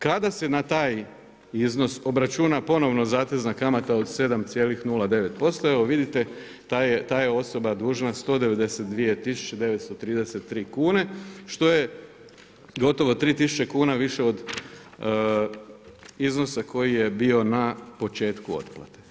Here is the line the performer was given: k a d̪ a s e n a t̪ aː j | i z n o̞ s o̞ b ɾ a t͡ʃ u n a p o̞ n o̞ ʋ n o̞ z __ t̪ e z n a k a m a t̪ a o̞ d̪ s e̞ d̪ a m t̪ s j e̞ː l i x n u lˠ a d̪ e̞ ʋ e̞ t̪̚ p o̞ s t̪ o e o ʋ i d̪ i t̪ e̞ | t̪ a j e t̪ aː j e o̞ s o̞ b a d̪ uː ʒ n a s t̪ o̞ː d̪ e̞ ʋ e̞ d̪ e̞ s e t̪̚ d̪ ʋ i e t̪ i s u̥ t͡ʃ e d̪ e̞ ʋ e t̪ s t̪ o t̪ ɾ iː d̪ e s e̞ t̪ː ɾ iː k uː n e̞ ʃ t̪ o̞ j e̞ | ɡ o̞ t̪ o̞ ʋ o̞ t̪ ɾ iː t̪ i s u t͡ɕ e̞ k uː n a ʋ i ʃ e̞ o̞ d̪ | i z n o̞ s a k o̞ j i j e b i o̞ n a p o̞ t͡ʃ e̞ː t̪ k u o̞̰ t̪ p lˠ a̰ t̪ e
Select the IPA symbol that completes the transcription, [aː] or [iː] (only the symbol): aː